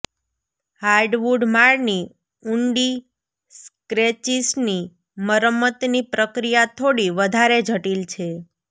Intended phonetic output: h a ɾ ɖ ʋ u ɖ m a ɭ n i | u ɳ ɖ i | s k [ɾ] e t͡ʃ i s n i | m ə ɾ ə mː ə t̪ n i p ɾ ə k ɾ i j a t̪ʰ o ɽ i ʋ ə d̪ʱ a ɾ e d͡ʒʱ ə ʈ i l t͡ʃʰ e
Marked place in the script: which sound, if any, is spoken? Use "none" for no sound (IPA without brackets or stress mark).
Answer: ɾ